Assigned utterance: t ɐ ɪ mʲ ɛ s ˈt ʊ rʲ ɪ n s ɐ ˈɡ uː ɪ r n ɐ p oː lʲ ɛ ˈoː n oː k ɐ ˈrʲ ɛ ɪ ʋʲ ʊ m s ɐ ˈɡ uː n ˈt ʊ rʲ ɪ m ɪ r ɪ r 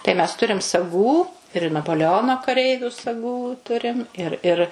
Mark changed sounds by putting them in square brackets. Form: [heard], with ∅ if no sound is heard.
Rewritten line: t ɐ ɪ mʲ ɛ s ˈt ʊ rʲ ɪ [m] s ɐ ˈɡ uː ɪ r n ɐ p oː lʲ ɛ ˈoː n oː k ɐ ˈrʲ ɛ ɪ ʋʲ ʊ [∅] s ɐ ˈɡ uː [∅] ˈt ʊ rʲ ɪ m ɪ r ɪ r